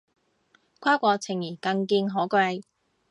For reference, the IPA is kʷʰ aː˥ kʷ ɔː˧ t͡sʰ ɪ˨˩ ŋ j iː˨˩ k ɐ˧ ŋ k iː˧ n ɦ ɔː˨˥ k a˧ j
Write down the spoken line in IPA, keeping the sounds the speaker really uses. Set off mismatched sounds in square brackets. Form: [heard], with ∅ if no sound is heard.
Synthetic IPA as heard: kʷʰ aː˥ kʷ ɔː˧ t͡sʰ ɪ˨˩ ŋ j iː˨˩ k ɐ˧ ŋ k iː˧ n ɦ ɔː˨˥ k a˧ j